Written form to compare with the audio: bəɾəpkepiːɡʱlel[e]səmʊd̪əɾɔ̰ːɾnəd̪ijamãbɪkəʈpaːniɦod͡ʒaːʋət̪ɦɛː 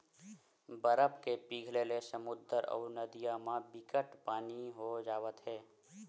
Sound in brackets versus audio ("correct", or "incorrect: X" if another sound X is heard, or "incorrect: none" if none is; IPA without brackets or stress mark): correct